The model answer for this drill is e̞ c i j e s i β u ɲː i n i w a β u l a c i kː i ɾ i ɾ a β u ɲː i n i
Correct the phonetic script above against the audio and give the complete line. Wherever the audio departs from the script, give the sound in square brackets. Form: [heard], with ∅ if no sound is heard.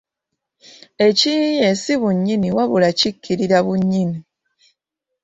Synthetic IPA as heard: e̞ c i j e s i β u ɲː i n i w a β u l a c i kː i ɾ i ɾ a β u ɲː i n i